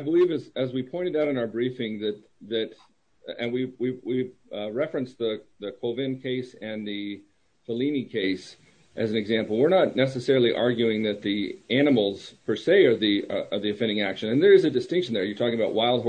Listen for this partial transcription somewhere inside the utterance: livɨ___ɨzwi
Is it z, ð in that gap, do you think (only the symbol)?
z